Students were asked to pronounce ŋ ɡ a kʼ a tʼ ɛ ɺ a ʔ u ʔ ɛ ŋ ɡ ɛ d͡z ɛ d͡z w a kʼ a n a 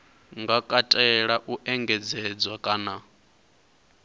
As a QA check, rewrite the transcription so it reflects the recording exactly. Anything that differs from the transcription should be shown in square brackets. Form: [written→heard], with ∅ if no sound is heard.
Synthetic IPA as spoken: ŋ ɡ a kʼ a tʼ ɛ ɺ a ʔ u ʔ ɛ ŋ ɡ ɛ d͡z ɛ d͡z w a kʼ a n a